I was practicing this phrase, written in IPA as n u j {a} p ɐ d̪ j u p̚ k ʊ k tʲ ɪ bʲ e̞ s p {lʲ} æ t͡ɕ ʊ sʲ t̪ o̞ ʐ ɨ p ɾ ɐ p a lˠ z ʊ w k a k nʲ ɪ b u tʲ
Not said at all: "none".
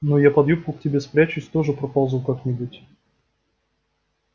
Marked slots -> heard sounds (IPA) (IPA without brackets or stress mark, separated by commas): a, ɾʲ